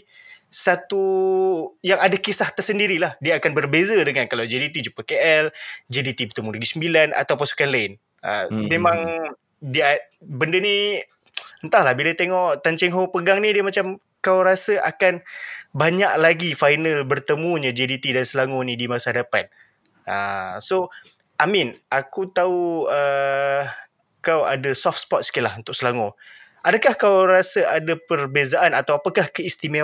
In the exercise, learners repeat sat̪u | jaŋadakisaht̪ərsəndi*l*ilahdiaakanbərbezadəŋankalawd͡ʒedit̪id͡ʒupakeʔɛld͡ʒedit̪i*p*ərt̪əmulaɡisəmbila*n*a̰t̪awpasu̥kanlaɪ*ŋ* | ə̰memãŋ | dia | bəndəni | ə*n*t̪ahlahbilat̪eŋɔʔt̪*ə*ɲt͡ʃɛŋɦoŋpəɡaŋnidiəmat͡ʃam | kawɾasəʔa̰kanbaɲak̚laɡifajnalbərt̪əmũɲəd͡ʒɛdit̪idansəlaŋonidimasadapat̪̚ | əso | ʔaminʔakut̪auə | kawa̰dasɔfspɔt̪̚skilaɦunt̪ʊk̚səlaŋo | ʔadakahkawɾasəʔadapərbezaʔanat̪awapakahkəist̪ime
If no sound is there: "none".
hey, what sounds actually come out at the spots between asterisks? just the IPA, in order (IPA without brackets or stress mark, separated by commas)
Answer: ɾ, b, n, n, n, a